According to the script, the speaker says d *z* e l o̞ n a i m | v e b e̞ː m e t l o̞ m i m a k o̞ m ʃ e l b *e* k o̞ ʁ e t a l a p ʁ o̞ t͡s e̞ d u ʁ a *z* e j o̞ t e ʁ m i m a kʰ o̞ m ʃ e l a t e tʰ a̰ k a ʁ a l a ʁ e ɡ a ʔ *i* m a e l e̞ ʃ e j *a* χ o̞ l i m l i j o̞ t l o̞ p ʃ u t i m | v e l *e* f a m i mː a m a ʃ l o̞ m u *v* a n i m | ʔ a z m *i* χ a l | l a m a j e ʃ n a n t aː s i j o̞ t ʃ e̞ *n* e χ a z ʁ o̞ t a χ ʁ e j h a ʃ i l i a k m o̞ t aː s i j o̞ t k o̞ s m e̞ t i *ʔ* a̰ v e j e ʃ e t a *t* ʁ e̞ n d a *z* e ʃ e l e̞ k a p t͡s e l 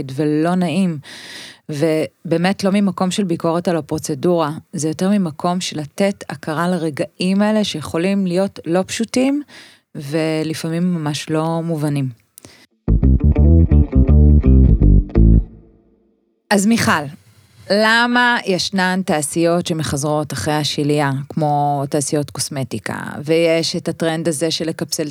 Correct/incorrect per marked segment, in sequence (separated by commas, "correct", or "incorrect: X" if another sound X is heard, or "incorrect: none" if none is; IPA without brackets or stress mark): incorrect: v, incorrect: i, correct, correct, incorrect: e, incorrect: i, correct, correct, incorrect: m, incorrect: k, correct, correct